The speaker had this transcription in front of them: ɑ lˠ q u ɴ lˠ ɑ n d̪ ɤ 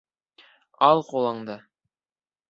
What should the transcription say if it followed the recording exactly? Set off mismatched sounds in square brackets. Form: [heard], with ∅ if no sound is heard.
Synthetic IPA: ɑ lˠ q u [∅] lˠ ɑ [ɴ] d̪ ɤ

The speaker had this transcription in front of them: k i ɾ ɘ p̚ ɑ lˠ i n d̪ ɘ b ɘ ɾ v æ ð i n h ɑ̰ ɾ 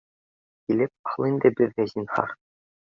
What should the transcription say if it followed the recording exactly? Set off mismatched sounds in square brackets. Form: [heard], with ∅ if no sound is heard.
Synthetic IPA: k i [l] ɘ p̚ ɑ lˠ i n d̪ ɘ b ɘ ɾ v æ [z] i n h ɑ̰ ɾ

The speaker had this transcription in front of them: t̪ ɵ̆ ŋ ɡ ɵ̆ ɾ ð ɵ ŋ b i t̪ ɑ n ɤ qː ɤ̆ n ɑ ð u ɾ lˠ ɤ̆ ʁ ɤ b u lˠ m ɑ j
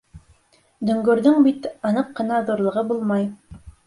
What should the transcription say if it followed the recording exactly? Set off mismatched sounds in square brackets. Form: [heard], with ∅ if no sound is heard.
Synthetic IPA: [d̪] ɵ̆ ŋ ɡ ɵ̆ ɾ ð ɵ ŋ b i t̪ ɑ n ɤ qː ɤ̆ n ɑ ð u ɾ lˠ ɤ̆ ʁ ɤ b u lˠ m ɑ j

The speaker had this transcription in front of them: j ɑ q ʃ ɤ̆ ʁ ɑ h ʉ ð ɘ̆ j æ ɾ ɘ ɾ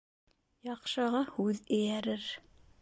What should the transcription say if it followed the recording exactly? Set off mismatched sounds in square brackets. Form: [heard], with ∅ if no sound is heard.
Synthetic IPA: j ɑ q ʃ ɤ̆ ʁ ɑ h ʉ ð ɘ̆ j æ ɾ ɘ ɾ

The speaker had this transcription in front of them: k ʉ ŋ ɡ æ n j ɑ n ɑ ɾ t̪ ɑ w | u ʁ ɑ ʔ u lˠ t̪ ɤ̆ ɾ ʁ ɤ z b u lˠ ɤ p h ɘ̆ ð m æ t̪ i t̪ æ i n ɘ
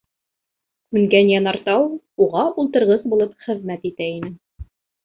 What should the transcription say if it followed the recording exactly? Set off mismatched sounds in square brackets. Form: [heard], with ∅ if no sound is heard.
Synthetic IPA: k ʉ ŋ ɡ æ n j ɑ n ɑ ɾ t̪ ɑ w | u ʁ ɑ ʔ u lˠ t̪ ɤ̆ ɾ ʁ ɤ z b u lˠ ɤ p [χ] ɘ̆ ð m æ t̪ i t̪ æ i n ɘ

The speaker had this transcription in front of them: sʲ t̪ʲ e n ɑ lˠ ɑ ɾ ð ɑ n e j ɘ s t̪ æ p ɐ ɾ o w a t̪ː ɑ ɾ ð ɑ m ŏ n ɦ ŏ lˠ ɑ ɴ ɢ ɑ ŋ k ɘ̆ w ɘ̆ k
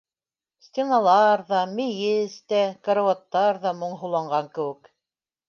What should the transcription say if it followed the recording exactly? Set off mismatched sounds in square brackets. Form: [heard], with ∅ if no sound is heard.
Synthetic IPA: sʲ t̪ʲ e n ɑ lˠ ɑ ɾ ð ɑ [m] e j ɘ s t̪ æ [k] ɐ ɾ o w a t̪ː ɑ ɾ ð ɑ m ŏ [ɴ] ɦ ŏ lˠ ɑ ɴ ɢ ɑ ŋ k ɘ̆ w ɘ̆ k

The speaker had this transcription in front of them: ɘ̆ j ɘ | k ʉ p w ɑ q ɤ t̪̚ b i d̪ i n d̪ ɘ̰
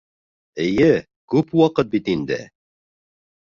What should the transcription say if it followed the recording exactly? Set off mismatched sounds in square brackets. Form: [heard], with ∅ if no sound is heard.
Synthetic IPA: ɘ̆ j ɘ | k ʉ p w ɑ q ɤ t̪̚ b i [t̪] i n d̪ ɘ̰

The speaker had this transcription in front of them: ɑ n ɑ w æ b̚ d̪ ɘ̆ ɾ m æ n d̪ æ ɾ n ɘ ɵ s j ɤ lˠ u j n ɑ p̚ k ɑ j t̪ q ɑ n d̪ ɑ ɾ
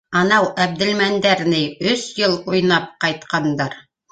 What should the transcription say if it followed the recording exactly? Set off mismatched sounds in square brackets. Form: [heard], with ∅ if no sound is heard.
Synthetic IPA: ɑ n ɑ w æ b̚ d̪ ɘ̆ [l] m æ n d̪ æ ɾ n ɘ ɵ s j ɤ lˠ u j n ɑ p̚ [q] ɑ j t̪ q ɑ n d̪ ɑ ɾ

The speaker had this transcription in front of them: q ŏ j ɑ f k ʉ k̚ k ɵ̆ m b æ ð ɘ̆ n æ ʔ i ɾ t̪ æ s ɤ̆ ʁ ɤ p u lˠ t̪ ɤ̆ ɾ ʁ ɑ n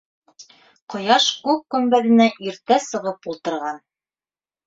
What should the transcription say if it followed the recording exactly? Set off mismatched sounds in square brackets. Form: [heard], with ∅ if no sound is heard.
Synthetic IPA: q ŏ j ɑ [ʃ] k ʉ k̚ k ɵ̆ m b æ ð ɘ̆ n æ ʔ i ɾ t̪ æ s ɤ̆ ʁ ɤ p u lˠ t̪ ɤ̆ ɾ ʁ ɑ n

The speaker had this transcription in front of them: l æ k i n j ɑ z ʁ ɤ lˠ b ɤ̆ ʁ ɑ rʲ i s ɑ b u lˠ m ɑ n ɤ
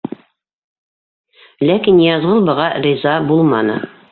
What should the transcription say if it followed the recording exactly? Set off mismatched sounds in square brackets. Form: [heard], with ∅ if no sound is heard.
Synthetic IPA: l æ k i n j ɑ z ʁ ɤ lˠ b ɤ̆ ʁ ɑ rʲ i [z] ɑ b u lˠ m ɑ n ɤ

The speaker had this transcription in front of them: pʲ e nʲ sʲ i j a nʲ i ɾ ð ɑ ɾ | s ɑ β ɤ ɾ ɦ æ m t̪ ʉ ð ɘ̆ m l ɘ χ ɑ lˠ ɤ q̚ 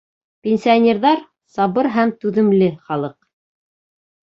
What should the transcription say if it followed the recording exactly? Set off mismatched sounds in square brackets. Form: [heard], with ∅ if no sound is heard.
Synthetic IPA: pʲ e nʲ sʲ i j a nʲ [e] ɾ ð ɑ ɾ | s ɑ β ɤ ɾ ɦ æ m t̪ ʉ ð ɘ̆ m l ɘ χ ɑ lˠ ɤ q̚

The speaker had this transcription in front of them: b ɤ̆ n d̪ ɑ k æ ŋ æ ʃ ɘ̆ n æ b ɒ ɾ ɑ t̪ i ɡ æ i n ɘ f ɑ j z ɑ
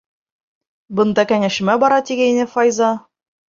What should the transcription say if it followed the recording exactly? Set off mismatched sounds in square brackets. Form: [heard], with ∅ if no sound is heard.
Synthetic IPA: b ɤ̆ n d̪ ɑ k æ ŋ æ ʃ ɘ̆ [m] æ b ɒ ɾ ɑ t̪ i ɡ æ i n ɘ f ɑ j z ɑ

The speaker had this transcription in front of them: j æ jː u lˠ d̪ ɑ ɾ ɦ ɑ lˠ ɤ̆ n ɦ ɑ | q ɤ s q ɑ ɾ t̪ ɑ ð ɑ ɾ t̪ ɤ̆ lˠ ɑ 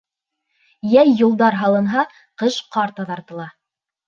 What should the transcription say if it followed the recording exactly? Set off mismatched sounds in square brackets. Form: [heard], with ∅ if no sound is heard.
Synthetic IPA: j æ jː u lˠ d̪ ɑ ɾ ɦ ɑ lˠ ɤ̆ n ɦ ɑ | q ɤ [ʃ] q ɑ ɾ t̪ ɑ ð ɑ ɾ t̪ ɤ̆ lˠ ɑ

